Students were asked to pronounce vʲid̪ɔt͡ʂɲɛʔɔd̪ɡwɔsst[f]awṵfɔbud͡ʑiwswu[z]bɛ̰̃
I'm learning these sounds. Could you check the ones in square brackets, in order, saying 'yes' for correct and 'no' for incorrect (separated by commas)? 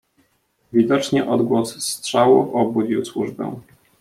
no, no